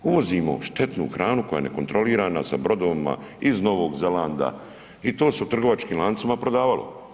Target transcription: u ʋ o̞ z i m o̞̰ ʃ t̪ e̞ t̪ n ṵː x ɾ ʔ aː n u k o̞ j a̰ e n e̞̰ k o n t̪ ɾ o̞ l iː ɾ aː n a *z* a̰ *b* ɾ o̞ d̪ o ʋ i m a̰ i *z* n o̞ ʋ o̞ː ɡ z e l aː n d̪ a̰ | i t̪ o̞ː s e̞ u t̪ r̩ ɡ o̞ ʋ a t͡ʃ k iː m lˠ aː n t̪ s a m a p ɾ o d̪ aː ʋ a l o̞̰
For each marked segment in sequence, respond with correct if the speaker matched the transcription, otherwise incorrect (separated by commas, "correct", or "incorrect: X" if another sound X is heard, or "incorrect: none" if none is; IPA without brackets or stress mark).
incorrect: s, correct, correct